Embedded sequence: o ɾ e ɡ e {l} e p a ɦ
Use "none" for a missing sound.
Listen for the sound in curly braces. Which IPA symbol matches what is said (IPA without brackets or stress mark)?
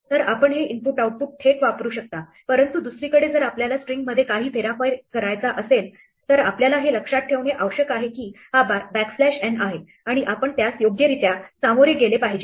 l